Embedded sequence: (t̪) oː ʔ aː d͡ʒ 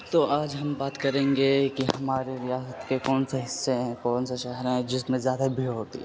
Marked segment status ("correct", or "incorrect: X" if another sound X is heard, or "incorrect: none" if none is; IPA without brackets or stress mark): correct